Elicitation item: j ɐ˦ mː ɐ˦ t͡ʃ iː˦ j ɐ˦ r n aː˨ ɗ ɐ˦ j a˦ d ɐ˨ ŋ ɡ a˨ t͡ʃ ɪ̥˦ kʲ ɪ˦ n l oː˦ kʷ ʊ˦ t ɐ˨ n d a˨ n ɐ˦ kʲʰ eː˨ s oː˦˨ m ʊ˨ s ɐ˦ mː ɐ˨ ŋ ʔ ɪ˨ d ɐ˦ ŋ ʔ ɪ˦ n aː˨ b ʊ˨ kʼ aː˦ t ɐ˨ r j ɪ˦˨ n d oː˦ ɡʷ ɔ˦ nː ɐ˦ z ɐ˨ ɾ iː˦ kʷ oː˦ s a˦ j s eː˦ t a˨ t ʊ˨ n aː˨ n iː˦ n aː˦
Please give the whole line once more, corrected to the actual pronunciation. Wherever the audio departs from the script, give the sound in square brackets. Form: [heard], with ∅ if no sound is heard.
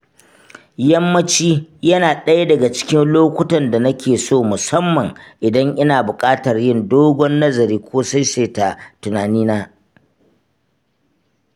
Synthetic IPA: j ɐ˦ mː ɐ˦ t͡ʃ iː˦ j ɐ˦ [∅] n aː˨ ɗ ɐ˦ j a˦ d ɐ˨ [∅] ɡ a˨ t͡ʃ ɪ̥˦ kʲ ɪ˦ n l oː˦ kʷ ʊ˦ t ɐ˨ n d a˨ n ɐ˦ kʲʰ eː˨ s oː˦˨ m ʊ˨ s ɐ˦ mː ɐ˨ ŋ ʔ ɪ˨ d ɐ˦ ŋ ʔ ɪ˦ n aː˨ b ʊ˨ kʼ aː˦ t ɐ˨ r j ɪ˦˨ n d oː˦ ɡʷ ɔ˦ nː ɐ˦ z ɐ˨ ɾ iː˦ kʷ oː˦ s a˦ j s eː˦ t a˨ t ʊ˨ n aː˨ n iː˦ n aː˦